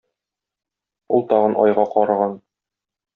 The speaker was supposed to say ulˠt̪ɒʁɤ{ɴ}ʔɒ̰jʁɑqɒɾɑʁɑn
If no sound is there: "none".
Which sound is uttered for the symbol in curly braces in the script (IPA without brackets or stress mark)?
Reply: n